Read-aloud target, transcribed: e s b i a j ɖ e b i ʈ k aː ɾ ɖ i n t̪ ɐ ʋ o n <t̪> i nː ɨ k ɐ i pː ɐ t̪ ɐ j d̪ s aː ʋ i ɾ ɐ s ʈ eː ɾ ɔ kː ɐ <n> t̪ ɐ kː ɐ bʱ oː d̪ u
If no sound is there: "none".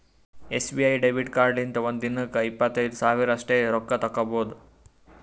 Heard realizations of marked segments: d̪, none

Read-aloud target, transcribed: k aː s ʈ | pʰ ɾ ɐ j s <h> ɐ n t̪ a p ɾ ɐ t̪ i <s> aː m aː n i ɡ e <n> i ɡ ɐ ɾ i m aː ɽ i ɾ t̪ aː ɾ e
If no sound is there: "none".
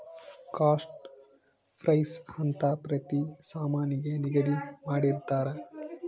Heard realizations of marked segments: h, s, n

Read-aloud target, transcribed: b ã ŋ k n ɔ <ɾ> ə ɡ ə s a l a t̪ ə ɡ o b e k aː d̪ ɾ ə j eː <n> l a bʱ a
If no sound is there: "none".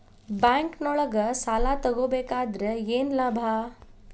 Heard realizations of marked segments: ɭ, n

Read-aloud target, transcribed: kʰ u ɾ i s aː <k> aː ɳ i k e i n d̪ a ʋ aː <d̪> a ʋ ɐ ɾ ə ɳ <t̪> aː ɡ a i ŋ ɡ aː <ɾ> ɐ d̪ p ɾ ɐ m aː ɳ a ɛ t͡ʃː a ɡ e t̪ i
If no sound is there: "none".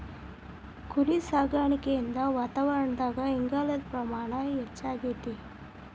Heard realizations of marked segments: ɡ, t̪, d̪, l

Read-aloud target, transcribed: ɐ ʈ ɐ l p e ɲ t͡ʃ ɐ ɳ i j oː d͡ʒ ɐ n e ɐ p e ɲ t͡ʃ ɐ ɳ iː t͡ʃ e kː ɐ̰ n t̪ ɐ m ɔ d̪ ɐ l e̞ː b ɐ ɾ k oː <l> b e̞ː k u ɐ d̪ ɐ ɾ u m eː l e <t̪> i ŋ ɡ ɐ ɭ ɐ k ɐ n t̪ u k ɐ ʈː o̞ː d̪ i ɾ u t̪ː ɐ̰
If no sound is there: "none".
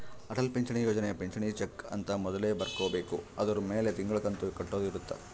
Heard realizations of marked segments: none, t̪

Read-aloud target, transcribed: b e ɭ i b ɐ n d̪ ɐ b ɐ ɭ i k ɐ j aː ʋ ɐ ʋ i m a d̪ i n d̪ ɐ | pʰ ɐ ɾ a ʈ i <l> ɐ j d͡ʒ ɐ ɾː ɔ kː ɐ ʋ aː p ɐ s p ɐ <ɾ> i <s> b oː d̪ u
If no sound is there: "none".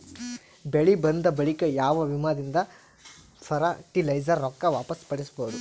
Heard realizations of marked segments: l, ɽ, s

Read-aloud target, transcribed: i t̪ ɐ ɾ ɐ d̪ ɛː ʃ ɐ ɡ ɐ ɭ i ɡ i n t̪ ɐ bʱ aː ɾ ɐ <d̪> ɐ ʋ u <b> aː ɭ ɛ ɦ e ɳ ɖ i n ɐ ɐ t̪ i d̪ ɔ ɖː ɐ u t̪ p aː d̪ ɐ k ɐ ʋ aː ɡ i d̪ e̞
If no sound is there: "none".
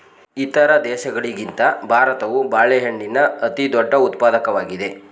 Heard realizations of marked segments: t̪, b

